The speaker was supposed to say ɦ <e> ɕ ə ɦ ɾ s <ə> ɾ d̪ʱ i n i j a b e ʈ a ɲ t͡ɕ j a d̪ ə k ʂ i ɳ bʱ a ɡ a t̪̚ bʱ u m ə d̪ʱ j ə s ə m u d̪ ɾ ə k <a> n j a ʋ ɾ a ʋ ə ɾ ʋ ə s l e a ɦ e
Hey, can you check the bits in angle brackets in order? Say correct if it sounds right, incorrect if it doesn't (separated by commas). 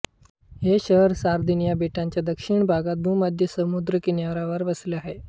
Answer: correct, incorrect, incorrect